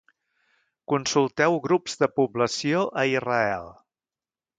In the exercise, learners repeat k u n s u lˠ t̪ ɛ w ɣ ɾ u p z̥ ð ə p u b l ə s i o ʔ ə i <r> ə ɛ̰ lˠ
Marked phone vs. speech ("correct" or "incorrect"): correct